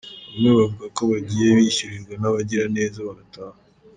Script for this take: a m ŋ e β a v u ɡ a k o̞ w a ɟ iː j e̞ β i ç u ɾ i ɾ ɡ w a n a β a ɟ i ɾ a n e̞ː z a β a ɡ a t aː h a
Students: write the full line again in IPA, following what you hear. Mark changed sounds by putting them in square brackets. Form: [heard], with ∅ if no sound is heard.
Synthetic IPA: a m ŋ e β a v u ɡ a k o̞ [β] a ɟ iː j e̞ β i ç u ɾ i ɾ ɡ w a n a β a ɟ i ɾ a n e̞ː z a β a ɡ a t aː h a